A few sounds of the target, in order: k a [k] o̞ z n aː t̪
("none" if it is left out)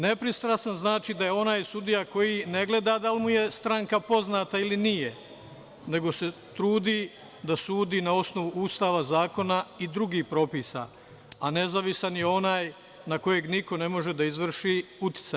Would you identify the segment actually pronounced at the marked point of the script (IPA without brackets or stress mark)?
p